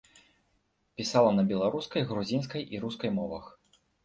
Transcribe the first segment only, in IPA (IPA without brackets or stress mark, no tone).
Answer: pʲ